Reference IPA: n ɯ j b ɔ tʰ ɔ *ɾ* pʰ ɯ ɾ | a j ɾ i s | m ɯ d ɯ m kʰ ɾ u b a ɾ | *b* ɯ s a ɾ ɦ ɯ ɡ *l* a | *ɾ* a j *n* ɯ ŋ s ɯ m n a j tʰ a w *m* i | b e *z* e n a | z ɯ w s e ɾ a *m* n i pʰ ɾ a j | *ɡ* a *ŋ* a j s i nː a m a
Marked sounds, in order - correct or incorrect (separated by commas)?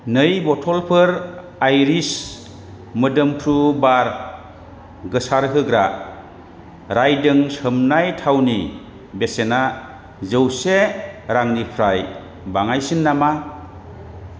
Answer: incorrect, incorrect, incorrect, correct, incorrect, incorrect, incorrect, incorrect, incorrect, correct